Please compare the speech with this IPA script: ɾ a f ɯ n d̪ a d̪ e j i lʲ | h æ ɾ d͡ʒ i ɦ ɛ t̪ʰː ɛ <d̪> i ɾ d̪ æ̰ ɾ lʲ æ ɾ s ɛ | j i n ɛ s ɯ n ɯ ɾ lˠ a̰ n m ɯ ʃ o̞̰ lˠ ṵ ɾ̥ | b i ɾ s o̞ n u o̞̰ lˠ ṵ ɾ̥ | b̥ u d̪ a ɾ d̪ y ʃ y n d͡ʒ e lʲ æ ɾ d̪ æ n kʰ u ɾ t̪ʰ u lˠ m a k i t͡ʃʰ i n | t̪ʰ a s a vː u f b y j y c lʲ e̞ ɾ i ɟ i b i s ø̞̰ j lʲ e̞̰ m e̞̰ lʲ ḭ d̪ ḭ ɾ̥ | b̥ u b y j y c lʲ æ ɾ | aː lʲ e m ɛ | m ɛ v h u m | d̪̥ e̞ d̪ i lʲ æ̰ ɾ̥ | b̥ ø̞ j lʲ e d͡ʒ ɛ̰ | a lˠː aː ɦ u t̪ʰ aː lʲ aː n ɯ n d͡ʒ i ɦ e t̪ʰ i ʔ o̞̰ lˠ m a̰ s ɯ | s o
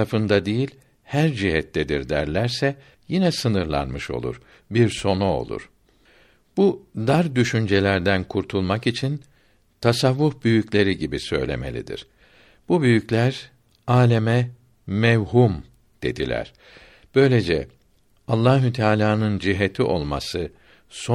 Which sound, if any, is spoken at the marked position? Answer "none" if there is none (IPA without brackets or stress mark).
d̪